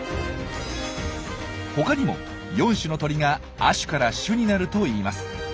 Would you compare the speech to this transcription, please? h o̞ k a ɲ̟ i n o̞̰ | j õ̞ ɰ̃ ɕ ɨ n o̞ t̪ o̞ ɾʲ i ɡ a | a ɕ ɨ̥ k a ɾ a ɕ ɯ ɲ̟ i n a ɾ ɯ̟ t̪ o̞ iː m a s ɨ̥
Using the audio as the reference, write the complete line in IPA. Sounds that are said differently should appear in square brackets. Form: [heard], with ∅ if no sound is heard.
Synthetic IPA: h o̞ k a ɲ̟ i [m] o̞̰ | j õ̞ ɰ̃ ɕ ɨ n o̞ t̪ o̞ ɾʲ i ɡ a | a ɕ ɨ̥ k a ɾ a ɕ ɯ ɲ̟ i n a ɾ ɯ̟ t̪ o̞ iː m a s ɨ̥